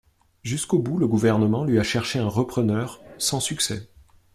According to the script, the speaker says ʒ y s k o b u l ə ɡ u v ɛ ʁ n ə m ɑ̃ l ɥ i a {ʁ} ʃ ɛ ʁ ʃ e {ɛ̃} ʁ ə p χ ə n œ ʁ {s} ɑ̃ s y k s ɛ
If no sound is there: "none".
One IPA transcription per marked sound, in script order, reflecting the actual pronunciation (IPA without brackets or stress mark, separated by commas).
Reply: none, ɛ̃, s